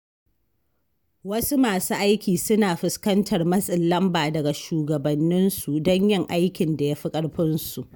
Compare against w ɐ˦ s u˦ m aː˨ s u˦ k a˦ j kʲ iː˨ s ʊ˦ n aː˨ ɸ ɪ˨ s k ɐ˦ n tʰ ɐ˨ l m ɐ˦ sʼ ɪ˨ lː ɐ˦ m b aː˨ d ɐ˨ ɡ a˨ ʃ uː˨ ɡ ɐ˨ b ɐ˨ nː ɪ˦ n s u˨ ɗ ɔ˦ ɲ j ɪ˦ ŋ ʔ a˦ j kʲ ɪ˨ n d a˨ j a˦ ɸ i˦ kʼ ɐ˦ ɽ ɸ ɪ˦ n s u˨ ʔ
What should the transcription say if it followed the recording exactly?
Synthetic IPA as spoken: w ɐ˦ s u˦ m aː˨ s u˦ ʔ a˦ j kʲ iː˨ s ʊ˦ n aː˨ ɸ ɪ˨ s k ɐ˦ n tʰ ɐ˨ r m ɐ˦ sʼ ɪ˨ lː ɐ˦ m b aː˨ d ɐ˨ ɡ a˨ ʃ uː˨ ɡ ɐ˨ b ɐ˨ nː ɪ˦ n s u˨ d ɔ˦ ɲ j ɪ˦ ŋ ʔ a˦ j kʲ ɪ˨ n d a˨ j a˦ ɸ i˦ kʼ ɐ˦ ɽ ɸ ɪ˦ n s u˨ ʔ